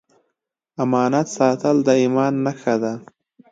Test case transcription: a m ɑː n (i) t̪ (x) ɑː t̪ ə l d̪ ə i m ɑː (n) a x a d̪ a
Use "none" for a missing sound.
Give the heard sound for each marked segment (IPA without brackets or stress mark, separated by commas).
a, s, nː